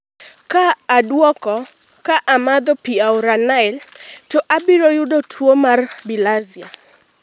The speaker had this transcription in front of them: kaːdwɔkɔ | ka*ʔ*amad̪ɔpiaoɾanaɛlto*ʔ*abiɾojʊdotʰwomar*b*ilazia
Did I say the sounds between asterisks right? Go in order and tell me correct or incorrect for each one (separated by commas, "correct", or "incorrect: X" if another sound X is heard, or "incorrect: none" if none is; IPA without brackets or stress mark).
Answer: correct, correct, correct